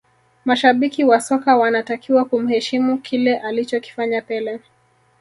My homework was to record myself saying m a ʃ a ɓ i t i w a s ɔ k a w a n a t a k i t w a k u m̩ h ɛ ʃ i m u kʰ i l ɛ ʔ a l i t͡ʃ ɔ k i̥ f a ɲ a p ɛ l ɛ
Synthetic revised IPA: m a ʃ a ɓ i k i w a s ɔ k a w a n a t a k i w a k u m̩ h ɛ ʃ i m u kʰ i l ɛ ʔ a l i t͡ʃ ɔ k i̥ f a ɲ a p ɛ l ɛ